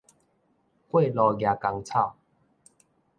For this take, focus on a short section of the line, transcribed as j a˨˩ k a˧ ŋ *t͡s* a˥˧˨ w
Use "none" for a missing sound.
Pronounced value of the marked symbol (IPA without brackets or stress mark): t͡sʰ